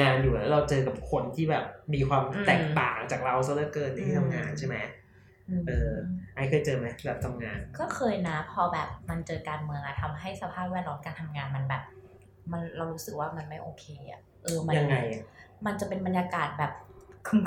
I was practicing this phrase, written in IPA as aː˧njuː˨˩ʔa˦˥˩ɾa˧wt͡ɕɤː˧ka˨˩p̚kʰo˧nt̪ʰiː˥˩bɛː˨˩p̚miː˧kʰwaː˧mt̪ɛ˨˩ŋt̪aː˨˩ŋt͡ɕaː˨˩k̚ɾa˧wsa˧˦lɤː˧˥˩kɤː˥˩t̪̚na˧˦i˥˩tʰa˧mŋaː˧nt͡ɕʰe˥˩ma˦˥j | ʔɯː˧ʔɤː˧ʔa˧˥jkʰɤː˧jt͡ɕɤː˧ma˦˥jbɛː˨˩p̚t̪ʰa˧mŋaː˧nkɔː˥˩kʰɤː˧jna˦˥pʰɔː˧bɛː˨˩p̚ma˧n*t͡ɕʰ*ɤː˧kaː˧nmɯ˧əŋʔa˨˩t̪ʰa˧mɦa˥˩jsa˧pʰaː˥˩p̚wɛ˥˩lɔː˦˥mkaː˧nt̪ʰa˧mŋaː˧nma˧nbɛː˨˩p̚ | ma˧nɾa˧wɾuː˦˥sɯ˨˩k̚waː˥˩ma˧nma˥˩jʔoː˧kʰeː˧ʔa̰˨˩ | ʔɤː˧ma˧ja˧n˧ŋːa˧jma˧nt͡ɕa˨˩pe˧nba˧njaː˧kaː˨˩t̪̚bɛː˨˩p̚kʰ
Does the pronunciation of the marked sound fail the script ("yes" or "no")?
yes